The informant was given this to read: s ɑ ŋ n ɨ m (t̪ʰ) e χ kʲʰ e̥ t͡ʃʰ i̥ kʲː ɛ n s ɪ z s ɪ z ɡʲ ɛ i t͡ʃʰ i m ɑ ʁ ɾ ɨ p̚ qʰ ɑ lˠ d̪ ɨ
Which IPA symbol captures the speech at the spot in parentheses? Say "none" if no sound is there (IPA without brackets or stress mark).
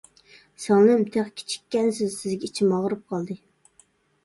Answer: t̪ʰ